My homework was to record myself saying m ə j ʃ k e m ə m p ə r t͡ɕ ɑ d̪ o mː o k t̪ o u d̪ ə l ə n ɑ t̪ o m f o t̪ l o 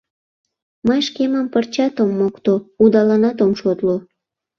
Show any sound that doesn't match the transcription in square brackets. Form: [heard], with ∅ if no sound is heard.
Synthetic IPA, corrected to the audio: m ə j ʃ k e m ə m p ə r t͡ɕ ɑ [t̪] o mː o k t̪ o u d̪ [ɑ] l [ɑ] n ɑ t̪ o m [ʃ] o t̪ l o